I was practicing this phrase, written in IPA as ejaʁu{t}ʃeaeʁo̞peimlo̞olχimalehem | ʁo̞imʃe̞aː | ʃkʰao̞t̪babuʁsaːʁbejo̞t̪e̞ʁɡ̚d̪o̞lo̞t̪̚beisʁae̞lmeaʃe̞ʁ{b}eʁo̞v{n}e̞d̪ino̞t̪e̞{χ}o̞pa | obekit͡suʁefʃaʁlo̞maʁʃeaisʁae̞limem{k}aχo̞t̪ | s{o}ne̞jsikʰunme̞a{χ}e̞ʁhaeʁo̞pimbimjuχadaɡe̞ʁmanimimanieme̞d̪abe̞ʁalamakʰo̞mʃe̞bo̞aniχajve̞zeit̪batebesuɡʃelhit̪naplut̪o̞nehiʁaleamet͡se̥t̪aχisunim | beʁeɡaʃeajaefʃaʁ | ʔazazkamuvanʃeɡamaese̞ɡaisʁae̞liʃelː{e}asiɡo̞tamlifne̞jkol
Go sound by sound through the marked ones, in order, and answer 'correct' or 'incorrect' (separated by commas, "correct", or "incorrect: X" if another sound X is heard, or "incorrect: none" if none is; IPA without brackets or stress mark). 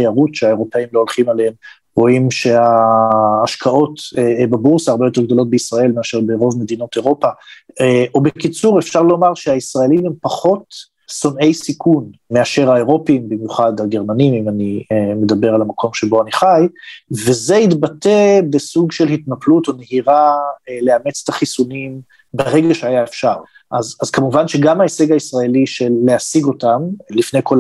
correct, correct, incorrect: m, incorrect: ʁ, incorrect: p, correct, incorrect: ʃ, correct